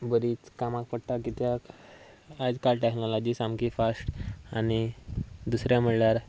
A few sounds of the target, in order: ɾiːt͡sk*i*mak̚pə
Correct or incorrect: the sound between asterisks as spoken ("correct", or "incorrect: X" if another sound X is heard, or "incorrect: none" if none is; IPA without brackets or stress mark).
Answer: incorrect: a